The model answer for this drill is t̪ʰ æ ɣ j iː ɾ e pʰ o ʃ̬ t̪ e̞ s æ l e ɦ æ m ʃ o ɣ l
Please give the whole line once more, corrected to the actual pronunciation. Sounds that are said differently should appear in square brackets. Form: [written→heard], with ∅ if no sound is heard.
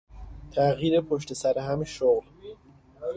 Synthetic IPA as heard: t̪ʰ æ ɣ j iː ɾ e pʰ o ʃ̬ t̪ e̞ s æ [l→ɾ] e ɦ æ m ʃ o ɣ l